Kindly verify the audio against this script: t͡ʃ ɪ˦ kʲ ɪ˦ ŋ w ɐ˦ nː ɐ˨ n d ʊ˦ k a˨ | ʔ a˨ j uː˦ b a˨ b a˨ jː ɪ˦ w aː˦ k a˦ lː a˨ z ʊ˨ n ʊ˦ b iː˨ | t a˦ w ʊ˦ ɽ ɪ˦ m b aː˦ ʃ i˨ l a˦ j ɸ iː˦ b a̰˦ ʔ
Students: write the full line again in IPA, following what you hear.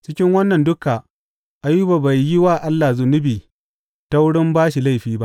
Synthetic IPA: t͡ʃ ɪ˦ kʲ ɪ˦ ŋ w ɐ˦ nː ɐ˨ n d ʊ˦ k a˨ | ʔ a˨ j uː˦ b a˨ b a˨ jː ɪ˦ w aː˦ ʔ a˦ lː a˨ z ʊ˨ n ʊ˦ b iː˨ | t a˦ w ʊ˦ ɽ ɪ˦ m b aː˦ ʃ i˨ l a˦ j ɸ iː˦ b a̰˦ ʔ